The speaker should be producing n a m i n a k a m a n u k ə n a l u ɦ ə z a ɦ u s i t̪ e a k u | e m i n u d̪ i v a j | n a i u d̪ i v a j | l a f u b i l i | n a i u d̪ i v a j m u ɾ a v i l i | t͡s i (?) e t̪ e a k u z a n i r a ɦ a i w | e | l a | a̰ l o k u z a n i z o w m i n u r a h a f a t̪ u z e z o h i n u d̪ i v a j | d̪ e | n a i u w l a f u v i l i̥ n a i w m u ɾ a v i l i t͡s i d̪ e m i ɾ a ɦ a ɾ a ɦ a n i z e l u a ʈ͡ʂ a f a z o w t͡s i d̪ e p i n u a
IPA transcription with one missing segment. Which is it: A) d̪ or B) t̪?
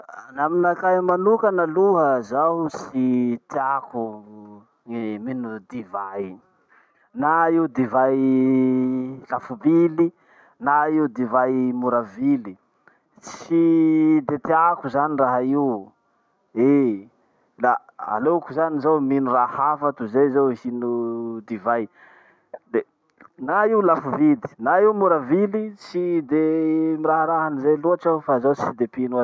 A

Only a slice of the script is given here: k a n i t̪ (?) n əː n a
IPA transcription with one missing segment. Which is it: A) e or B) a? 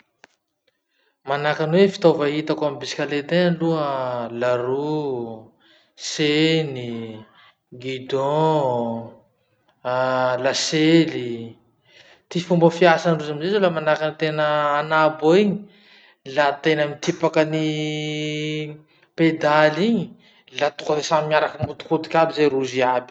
A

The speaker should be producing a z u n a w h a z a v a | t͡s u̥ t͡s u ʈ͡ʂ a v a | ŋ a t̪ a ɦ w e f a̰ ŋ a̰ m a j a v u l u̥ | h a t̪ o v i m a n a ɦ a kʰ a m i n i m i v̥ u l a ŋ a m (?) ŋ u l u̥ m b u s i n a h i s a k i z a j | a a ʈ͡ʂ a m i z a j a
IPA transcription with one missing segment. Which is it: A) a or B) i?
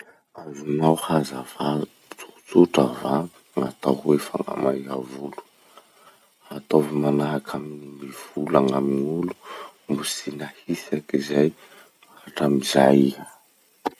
B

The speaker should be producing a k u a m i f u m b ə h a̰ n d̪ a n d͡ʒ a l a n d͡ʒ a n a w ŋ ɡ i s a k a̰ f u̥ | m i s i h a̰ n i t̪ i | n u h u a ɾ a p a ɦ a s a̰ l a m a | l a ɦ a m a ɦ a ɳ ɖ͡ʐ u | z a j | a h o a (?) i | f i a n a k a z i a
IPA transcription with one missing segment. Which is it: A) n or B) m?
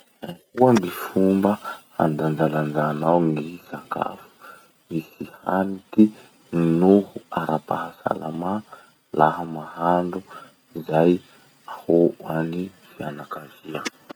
A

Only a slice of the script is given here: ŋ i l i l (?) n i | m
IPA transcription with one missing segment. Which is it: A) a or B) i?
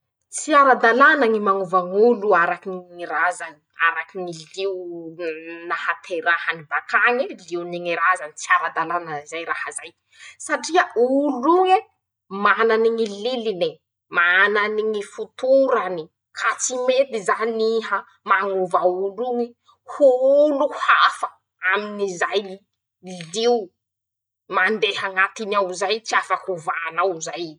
B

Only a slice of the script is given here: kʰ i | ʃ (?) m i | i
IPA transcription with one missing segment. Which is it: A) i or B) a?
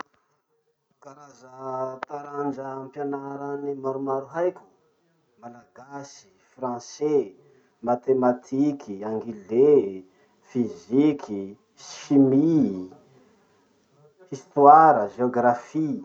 A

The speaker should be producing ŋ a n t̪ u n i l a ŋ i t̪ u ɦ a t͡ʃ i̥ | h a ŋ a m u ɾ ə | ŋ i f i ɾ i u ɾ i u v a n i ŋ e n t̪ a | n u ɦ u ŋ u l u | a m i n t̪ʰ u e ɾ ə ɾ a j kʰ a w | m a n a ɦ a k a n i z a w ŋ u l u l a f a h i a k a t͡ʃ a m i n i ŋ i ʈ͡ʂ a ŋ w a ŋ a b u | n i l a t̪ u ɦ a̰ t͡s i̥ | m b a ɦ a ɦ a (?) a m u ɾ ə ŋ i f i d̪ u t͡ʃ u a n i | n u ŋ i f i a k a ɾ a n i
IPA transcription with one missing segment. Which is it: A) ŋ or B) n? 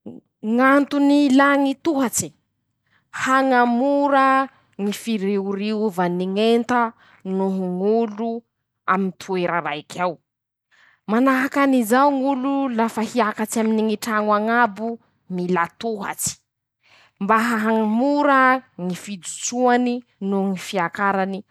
A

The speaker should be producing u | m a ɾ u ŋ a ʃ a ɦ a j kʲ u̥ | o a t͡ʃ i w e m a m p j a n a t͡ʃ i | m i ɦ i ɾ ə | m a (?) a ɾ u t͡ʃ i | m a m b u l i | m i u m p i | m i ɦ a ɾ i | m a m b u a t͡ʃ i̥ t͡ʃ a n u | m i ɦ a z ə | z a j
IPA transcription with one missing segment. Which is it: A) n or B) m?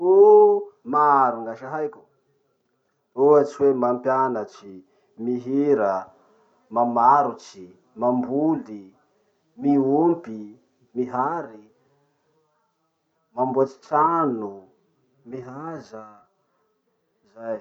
B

